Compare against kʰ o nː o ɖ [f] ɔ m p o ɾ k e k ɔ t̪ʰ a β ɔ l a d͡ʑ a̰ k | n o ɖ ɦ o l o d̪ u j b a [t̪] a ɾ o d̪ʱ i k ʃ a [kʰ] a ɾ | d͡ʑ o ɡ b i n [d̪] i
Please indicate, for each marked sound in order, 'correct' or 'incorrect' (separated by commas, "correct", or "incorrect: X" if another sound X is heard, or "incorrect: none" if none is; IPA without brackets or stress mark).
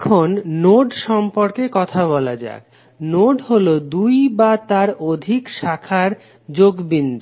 incorrect: ʃ, correct, correct, correct